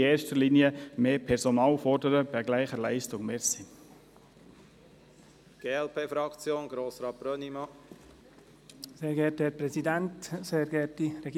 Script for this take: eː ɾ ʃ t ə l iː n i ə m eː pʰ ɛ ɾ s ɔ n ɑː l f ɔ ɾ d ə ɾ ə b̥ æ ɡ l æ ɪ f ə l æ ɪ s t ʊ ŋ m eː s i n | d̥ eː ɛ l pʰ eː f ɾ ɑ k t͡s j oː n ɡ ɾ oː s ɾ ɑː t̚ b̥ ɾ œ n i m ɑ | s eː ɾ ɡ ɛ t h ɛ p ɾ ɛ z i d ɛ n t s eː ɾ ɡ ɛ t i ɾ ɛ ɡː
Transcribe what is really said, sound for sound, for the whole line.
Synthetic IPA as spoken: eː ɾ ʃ t ə l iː n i ə m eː pʰ ɛ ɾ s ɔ n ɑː l f ɔ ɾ d ə ɾ ə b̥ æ ɡ l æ ɪ χ ə l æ ɪ s t ʊ ŋ m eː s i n | ɡ̥ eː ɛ l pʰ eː f ɾ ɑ k t͡s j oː n ɡ ɾ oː s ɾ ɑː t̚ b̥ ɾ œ n i m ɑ | s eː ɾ ɡ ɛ t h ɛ p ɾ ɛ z i d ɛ n t s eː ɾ ɡ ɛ t i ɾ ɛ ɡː